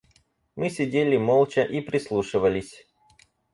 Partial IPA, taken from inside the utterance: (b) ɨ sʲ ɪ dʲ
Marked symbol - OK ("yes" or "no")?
no